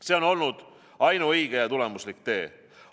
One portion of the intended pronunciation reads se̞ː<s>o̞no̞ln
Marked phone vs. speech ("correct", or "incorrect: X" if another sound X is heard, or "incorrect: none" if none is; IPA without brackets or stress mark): incorrect: none